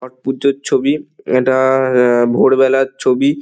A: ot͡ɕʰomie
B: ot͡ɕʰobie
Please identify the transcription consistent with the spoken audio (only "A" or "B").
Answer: B